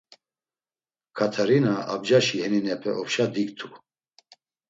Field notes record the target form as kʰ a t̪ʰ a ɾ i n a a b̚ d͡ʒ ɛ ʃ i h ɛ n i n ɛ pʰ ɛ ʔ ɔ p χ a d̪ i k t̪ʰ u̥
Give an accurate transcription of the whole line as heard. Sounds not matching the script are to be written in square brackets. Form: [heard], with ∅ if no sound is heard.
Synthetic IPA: kʰ a t̪ʰ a ɾ i n a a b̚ d͡ʒ [a] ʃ i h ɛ n i n ɛ pʰ ɛ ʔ ɔ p [ʃ] a d̪ i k t̪ʰ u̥